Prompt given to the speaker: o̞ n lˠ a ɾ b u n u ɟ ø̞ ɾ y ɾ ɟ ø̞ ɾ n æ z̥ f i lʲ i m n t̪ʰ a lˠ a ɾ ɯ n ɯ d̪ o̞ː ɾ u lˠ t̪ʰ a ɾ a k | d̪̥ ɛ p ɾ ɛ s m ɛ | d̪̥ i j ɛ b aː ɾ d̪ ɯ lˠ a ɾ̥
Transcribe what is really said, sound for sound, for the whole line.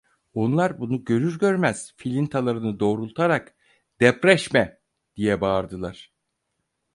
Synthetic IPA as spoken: o̞ n lˠ a ɾ b u n u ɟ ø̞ ɾ y ɾ ɟ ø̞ ɾ m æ z̥ f i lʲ i n t̪ʰ a lˠ a ɾ ɯ n ɯ d̪ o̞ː ɾ u lˠ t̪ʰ a ɾ a k | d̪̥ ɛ p ɾ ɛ ʃ m ɛ | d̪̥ i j ɛ b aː ɾ d̪ ɯ lˠ a ɾ̥